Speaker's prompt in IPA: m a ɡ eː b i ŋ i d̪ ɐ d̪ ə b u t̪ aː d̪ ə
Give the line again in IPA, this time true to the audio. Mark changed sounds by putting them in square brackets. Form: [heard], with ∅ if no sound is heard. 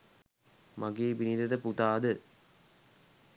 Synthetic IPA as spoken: m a ɡ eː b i [n] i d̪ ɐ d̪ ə [p] u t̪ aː d̪ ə